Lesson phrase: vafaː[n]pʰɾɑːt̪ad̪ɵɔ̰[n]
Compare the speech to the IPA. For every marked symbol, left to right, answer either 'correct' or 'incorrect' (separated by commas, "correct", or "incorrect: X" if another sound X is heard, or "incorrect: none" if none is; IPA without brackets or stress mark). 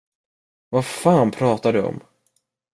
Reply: correct, incorrect: m